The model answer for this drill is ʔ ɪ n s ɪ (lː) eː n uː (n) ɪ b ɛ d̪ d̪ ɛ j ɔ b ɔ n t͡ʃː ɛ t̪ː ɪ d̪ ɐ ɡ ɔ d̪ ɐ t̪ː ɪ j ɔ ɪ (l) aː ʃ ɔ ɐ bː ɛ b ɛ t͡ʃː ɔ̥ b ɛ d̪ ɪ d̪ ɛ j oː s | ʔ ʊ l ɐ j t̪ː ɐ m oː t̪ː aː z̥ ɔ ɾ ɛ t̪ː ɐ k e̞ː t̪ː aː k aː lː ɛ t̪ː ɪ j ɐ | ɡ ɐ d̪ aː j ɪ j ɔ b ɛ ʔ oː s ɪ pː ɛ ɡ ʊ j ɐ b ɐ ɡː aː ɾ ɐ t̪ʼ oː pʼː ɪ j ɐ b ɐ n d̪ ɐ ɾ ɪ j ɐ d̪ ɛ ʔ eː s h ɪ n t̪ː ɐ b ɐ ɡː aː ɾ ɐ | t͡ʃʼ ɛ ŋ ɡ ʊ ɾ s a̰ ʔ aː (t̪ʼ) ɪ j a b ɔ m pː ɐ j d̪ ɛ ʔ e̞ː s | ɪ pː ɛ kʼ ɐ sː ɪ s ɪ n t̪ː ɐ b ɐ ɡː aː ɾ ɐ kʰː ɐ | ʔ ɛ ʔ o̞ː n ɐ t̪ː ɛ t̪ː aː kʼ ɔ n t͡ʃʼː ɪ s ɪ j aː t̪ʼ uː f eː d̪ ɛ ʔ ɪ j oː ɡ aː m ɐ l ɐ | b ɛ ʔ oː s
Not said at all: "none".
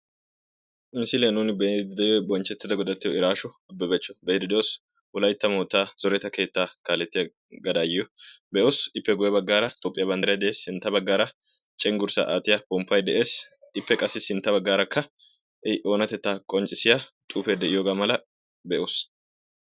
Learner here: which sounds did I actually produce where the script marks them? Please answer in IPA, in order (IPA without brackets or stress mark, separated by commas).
l, n, ɾ, t̪